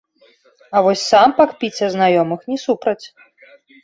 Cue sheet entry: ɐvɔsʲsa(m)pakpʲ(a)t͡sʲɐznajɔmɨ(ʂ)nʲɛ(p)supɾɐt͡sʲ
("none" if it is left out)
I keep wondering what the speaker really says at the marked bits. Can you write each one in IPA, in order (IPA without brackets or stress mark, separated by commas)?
m, i, x, none